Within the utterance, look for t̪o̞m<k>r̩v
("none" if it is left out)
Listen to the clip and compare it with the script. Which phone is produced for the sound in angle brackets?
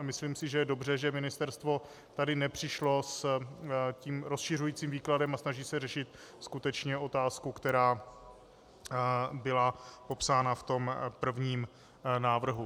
p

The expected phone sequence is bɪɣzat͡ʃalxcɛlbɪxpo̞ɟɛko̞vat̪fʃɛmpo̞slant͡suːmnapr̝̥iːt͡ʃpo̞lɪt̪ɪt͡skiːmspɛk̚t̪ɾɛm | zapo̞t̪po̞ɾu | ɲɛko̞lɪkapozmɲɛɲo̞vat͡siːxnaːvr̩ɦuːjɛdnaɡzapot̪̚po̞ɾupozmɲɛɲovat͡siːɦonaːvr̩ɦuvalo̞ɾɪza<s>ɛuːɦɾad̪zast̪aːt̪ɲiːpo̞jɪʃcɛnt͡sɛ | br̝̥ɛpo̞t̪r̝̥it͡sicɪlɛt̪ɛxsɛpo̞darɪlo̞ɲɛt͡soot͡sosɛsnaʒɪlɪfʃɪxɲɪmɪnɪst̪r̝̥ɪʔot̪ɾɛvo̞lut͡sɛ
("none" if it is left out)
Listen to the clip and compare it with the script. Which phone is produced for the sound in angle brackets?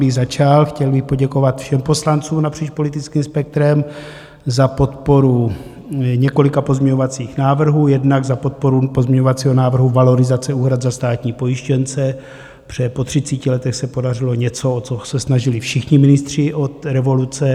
t͡s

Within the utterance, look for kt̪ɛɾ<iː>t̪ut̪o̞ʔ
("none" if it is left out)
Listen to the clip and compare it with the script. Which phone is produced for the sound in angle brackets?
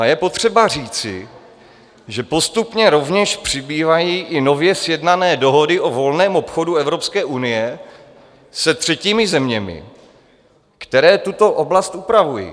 ɛː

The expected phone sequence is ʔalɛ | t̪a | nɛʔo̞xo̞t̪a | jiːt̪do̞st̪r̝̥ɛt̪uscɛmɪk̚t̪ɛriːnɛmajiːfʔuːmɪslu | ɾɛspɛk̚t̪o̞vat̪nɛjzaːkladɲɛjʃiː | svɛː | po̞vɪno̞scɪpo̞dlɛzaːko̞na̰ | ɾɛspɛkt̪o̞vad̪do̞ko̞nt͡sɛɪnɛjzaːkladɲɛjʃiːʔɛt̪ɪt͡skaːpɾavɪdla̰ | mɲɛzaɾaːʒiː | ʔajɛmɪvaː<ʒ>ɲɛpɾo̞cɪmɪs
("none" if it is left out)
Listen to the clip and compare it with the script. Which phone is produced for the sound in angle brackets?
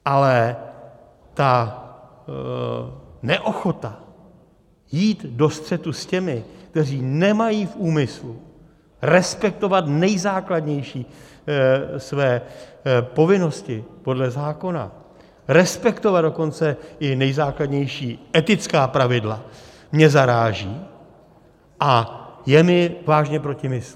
ʒ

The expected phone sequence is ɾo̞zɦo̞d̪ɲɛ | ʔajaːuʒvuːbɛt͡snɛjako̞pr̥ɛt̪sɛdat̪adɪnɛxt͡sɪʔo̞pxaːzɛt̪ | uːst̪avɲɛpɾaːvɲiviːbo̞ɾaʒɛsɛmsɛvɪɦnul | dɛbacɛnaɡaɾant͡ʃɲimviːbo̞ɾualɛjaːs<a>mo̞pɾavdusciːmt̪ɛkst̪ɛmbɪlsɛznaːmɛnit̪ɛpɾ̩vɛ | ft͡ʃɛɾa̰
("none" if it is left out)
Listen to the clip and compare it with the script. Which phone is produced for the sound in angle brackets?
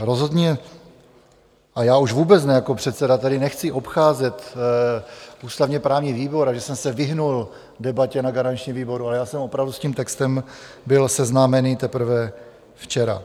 ɛ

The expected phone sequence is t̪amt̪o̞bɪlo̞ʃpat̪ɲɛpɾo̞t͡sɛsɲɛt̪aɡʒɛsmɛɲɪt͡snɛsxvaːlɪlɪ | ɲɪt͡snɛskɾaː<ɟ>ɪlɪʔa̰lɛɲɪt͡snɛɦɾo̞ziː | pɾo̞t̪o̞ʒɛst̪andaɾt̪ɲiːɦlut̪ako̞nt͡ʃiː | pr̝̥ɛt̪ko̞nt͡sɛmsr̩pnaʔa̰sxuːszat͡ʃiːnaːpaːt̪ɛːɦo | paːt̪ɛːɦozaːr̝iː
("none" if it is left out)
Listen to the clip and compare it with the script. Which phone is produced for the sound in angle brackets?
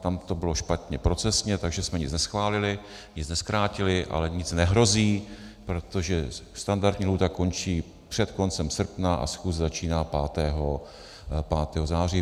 c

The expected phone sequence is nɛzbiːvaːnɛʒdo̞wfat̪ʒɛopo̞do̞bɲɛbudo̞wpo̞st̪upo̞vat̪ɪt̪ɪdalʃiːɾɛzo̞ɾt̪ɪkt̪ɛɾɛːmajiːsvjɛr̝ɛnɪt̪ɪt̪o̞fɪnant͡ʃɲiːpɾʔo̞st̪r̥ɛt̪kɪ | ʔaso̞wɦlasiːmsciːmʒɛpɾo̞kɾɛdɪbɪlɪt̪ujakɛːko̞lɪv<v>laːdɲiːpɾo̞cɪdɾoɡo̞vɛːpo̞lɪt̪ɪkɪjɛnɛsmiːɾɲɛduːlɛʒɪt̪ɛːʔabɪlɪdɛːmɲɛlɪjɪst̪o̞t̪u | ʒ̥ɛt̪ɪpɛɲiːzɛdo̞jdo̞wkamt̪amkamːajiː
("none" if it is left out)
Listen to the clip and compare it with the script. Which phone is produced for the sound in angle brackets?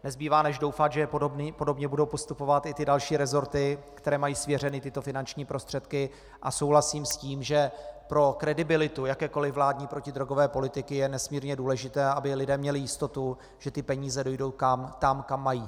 v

